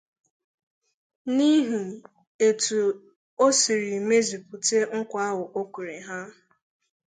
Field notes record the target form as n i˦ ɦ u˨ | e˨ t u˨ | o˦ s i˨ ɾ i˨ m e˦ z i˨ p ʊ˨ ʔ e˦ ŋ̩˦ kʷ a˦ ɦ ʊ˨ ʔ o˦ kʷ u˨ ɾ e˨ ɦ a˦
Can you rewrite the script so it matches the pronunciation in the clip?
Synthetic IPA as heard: n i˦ ɦ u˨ | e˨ t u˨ | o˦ s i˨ ɾ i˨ m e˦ z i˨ p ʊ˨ t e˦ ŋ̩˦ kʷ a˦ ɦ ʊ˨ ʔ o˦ kʷ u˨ ɾ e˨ ɦ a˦